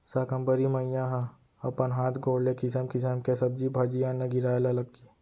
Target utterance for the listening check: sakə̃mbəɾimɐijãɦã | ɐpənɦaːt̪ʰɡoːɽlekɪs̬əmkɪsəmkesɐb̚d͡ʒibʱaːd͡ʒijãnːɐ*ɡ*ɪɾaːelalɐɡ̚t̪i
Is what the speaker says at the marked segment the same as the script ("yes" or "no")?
yes